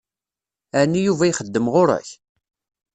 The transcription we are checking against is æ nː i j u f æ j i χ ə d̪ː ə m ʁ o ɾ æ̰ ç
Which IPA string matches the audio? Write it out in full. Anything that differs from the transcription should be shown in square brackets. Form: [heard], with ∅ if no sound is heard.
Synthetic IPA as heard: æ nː i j u [v] æ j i χ ə d̪ː ə m ʁ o ɾ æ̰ ç